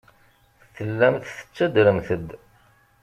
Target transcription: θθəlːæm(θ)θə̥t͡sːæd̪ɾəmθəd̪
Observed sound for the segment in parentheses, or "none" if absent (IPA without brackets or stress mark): θ